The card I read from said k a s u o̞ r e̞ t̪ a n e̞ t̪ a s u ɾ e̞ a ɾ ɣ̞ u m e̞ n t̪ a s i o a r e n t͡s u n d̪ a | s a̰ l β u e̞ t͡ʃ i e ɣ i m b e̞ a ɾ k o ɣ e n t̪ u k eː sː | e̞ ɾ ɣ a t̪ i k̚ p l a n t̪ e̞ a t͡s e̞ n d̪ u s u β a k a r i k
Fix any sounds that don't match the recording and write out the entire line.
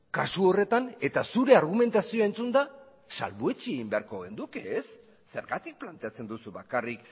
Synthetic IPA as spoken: k a s u o̞ r e̞ t̪ a n e̞ t̪ a s u ɾ e̞ a ɾ ɣ̞ u m e̞ n t̪ a s i o a e n t͡s u n d̪ a | s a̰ l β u e̞ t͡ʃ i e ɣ i m b e̞ a ɾ k o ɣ e n d̪ u k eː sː | e̞ ɾ ɣ a t̪ i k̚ p l a n t̪ e̞ a t͡s e̞ n d̪ u s u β a k a r i k